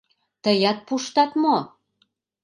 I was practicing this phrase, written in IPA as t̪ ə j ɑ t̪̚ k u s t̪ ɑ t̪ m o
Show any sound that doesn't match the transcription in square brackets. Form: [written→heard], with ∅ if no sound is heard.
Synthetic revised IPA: t̪ ə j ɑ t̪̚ [k→p] u [s→ʃ] t̪ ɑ t̪ m o